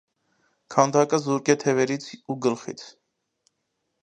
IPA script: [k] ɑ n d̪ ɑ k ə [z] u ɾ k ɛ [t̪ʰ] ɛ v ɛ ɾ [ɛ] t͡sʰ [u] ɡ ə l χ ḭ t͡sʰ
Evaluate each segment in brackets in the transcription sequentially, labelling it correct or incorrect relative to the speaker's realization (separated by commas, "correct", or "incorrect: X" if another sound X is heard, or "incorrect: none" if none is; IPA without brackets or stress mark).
incorrect: kʰ, correct, correct, incorrect: i, correct